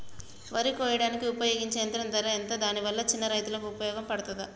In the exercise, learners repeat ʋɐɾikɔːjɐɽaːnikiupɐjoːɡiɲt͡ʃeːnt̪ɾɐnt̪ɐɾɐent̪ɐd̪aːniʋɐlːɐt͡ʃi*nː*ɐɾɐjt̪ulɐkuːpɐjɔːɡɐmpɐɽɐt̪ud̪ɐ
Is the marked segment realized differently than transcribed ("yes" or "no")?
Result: no